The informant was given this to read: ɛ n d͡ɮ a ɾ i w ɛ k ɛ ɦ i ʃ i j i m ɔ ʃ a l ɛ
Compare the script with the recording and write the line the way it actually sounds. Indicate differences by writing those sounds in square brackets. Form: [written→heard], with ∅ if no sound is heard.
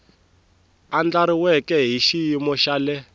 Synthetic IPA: [ɛ→a] n d͡ɮ a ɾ i w ɛ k ɛ ɦ i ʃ i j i m ɔ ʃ a l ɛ